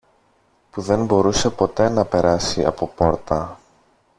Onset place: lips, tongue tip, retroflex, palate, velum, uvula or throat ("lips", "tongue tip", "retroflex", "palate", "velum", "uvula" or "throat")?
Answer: lips